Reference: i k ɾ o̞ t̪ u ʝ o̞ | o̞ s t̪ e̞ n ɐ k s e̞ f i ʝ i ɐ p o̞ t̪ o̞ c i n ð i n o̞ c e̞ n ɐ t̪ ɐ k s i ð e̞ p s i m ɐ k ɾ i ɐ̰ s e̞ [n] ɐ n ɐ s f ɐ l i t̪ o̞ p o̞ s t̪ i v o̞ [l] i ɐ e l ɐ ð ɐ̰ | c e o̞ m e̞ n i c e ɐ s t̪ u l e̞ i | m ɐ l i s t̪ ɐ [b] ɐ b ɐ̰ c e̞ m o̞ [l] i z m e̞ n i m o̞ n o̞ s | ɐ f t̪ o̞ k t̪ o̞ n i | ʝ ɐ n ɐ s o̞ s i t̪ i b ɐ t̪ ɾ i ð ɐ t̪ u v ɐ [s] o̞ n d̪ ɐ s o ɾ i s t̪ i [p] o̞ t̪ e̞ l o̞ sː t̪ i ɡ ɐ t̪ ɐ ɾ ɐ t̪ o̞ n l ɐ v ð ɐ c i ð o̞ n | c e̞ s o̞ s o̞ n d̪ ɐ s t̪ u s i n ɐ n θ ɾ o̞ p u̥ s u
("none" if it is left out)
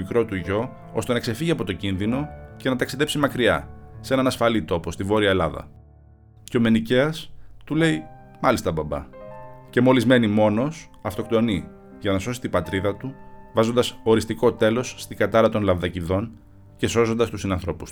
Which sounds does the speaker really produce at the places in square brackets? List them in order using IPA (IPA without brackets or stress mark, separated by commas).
n, ɾ, b, l, z, k